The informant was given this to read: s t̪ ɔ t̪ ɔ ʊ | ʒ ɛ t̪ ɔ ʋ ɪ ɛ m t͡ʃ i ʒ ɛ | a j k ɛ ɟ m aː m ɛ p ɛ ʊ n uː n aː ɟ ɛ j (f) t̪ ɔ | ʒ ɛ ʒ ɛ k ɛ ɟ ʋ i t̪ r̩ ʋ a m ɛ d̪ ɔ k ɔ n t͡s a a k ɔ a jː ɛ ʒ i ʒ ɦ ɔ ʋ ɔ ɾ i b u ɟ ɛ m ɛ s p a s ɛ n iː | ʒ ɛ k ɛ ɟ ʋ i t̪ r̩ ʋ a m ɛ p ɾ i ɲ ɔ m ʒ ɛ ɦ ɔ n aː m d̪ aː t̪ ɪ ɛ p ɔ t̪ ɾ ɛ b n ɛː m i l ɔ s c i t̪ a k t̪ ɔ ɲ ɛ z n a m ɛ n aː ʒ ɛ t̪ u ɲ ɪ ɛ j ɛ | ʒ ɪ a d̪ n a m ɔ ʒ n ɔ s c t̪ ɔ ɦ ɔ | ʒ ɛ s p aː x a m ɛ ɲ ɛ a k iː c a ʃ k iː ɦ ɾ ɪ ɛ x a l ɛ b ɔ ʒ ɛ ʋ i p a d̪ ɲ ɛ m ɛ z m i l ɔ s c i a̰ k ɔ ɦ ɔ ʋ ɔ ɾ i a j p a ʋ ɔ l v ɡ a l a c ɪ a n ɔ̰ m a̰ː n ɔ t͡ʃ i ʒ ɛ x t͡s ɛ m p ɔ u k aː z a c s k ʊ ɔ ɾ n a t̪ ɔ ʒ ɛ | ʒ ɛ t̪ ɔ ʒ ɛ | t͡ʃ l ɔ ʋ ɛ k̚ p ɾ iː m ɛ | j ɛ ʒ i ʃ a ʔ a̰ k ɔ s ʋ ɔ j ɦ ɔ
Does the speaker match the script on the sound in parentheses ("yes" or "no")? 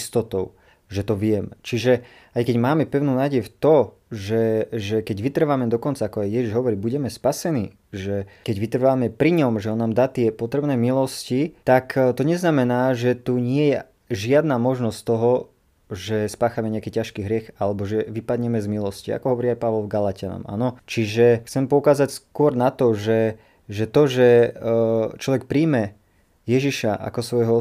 yes